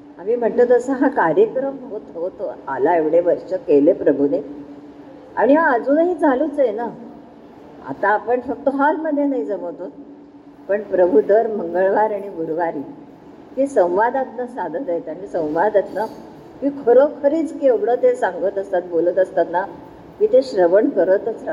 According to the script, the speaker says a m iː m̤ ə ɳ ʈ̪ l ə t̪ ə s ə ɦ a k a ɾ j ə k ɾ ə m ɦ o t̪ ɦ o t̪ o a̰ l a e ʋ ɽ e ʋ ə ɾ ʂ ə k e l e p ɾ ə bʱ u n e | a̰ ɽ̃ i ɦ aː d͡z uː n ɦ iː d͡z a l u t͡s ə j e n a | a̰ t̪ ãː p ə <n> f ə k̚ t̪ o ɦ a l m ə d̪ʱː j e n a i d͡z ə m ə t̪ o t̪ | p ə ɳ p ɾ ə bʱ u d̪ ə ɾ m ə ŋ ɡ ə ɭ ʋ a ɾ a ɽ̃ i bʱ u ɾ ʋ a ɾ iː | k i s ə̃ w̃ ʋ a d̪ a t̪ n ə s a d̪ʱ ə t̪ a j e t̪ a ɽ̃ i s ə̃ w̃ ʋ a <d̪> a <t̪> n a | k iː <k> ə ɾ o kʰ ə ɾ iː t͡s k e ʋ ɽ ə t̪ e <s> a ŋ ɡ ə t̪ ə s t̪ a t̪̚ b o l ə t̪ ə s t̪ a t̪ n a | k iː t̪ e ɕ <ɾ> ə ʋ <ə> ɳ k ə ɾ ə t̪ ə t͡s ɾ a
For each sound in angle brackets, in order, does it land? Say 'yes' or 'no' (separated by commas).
no, yes, yes, no, yes, yes, yes